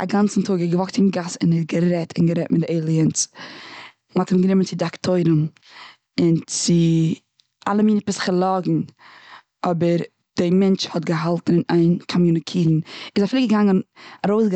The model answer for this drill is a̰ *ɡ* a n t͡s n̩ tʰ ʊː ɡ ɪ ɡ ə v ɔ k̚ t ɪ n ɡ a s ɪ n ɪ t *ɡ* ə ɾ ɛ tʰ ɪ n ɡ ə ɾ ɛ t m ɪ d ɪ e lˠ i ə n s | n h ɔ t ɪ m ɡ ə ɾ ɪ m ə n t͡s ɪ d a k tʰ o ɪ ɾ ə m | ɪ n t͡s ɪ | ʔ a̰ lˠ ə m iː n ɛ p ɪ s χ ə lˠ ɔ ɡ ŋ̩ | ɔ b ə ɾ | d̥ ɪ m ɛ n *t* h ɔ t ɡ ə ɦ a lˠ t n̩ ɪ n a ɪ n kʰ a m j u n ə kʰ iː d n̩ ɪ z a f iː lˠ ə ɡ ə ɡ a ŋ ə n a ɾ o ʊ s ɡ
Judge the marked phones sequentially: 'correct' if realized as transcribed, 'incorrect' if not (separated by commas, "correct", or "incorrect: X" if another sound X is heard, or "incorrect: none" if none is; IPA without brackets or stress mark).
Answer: correct, correct, incorrect: t͡ʃ